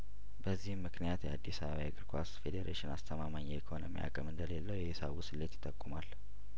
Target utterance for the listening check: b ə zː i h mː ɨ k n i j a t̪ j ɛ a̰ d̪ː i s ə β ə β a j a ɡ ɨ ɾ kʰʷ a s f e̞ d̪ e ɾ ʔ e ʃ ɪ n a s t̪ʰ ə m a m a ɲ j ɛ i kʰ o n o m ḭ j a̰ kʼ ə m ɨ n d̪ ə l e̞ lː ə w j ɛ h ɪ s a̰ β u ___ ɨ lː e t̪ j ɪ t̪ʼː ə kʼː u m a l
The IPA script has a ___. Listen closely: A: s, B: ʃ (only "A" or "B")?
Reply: A